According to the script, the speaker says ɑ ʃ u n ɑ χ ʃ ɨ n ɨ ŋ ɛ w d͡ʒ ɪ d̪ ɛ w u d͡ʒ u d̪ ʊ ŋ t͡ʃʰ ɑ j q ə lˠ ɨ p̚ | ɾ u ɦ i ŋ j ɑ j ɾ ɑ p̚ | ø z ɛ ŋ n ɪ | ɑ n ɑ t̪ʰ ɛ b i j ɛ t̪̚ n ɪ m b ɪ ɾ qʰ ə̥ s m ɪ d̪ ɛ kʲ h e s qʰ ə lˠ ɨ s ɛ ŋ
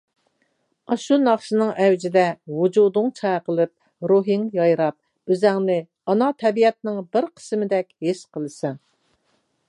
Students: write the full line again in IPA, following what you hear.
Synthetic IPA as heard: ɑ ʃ u n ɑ χ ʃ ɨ n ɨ ŋ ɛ w d͡ʒ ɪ d̪ ɛ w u d͡ʒ u d̪ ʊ ŋ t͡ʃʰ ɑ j q ə lˠ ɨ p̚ | ɾ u ɦ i ŋ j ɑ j ɾ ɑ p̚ | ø z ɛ ŋ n ɪ | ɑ n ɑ t̪ʰ ɛ b i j ɛ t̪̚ n ɪ ŋ b ɪ ɾ qʰ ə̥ s m ɪ d̪ ɛ kʲ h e ʃ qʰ ə lˠ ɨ s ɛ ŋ